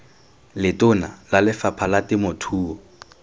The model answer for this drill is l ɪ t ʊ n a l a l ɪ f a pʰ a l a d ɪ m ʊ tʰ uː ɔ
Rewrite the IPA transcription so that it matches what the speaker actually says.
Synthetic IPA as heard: l ɪ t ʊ n a l a l ɪ f a pʰ a l a t ɪ m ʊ tʰ uː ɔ